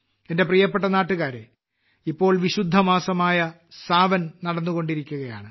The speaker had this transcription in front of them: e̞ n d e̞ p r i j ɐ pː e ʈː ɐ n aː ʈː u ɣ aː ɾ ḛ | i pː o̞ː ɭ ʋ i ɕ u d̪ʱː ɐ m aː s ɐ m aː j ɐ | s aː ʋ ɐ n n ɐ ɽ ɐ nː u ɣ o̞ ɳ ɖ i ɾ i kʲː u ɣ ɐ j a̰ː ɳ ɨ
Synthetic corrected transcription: e̞ n d e̞ p r i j ɐ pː e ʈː ɐ n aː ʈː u ɣ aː ɾ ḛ | i pː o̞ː ɭ ʋ i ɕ u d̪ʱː ɐ m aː s ɐ m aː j ɐ | s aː ʋ ɐ n n ɐ ɽ ɐ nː u ɣ o̞ ɳ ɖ i ɾ i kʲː u ɣ ɐ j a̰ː ɳ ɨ

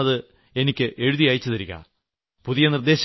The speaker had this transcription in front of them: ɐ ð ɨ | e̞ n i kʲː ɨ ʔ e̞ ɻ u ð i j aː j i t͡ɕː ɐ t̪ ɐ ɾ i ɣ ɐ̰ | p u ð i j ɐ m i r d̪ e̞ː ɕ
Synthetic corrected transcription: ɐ ð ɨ | e̞ n i kʲː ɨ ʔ e̞ ɻ u ð i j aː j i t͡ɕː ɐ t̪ ɐ ɾ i ɣ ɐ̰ | p u ð i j ɐ n i r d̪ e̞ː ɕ

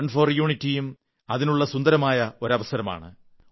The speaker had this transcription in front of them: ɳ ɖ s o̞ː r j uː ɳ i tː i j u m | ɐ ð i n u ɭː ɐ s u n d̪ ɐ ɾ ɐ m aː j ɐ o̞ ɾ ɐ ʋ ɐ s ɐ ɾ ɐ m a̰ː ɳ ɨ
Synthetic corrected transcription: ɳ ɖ f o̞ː r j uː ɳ i tː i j u m | ɐ ð i n u ɭː ɐ s u n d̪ ɐ ɾ ɐ m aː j ɐ o̞ ɾ ɐ ʋ ɐ s ɐ ɾ ɐ m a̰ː ɳ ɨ

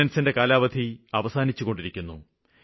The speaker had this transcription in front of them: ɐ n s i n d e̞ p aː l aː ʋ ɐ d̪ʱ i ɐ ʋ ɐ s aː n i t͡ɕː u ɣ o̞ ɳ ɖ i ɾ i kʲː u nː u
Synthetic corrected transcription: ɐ n s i n d e̞ k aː l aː ʋ ɐ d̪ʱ i ɐ ʋ ɐ s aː n i t͡ɕː u ɣ o̞ ɳ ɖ i ɾ i kʲː u nː u

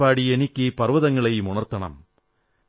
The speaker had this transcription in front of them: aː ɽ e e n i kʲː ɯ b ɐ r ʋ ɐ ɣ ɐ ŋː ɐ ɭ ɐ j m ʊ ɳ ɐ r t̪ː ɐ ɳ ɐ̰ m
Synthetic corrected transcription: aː ɽ i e n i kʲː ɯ p ɐ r ʋ ɐ ð ɐ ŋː ɐ ɭ ɐ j m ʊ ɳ ɐ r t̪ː ɐ ɳ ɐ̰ m

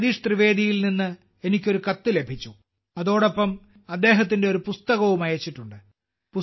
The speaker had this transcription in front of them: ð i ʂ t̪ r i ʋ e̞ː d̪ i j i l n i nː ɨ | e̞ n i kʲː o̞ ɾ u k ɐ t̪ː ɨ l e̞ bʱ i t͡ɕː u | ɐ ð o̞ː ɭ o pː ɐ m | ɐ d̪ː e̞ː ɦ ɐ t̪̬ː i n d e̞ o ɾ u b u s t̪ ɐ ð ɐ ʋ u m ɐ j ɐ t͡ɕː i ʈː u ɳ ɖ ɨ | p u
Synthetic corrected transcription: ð i ʂ t̪ r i ʋ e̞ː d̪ i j i l n i nː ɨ | e̞ n i kʲː o̞ ɾ u k ɐ t̪ː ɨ l e̞ bʱ i t͡ɕː u | ɐ ð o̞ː ɽ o pː ɐ m | ɐ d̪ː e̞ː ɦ ɐ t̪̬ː i n d e̞ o ɾ u p u s t̪ ɐ ɣ ɐ ʋ u m ɐ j ɐ t͡ɕː i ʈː u ɳ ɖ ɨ | p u

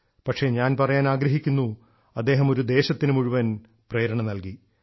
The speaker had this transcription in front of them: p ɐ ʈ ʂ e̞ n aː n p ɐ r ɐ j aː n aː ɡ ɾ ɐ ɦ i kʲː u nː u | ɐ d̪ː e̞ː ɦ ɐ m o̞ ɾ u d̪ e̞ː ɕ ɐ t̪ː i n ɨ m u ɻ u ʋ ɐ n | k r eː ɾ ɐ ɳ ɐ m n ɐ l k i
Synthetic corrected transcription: p ɐ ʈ ʂ e̞ ɲ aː n p ɐ r ɐ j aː n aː ɡ ɾ ɐ ɦ i kʲː u nː u | ɐ d̪ː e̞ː ɦ ɐ m o̞ ɾ u d̪ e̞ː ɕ ɐ t̪ː i n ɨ m u ɻ u ʋ ɐ n | p r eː ɾ ɐ ɳ ɐ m n ɐ l k i

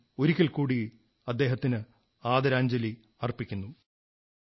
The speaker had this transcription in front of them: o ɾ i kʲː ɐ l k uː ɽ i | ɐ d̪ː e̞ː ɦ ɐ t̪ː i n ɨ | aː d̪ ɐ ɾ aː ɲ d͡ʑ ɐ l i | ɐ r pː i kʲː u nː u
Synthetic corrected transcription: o ɾ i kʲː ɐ l k uː ɽ i | ɐ d̪ː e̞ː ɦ ɐ t̪ː i n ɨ | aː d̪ ɐ ɾ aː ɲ d͡ʑ ɐ l i | ɐ r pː i kʲː u nː u

